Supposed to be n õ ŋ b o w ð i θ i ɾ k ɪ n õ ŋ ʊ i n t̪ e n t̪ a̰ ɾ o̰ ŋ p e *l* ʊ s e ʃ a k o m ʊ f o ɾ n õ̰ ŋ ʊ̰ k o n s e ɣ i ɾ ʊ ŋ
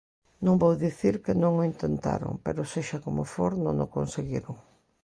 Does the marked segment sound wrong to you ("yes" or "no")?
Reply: yes